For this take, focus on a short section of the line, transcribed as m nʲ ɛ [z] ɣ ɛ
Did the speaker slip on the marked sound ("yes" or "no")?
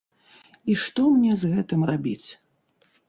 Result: no